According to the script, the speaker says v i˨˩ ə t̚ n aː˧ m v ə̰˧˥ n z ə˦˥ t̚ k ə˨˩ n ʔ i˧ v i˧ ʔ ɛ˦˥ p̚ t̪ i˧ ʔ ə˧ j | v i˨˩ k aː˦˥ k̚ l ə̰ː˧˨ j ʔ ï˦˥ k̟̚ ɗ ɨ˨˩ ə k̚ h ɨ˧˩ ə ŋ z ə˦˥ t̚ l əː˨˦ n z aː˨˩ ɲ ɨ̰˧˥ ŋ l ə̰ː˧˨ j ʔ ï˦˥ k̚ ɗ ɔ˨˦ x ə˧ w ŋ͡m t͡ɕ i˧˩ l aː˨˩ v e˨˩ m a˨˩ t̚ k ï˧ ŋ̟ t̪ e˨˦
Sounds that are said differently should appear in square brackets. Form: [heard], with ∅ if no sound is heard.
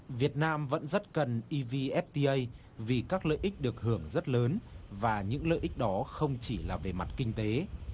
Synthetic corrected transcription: v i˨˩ ə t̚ n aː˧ m v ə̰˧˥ n z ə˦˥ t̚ k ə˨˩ n ʔ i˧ v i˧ ʔ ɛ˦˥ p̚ t̪ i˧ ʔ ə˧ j | v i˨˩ k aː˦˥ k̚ l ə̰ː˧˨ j ʔ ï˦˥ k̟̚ ɗ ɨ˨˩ ə k̚ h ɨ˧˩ ə ŋ z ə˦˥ t̚ l əː˨˦ n [v] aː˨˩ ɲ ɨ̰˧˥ ŋ l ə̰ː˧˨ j ʔ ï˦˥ k̚ ɗ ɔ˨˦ x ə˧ w ŋ͡m t͡ɕ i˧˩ l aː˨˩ v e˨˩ m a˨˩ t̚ k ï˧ ŋ̟ t̪ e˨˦